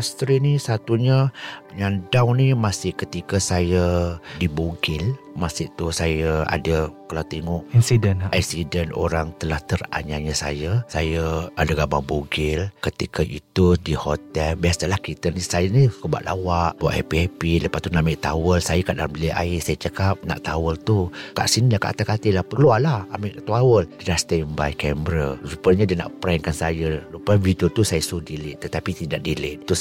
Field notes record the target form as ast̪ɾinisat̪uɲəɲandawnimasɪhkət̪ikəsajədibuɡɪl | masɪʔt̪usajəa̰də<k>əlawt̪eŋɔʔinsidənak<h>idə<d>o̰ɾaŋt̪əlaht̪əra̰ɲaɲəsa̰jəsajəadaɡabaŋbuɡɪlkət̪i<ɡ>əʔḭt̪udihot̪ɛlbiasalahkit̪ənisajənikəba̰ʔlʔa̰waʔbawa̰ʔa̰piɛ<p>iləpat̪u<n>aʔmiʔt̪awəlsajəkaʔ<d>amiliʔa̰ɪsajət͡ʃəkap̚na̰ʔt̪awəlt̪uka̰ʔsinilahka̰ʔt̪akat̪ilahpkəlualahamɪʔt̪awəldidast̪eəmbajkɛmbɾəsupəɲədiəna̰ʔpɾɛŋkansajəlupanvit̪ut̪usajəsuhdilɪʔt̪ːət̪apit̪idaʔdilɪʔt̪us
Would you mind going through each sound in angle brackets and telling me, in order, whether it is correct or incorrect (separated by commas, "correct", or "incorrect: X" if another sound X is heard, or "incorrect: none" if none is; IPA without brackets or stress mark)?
correct, incorrect: s, incorrect: n, incorrect: k, correct, correct, correct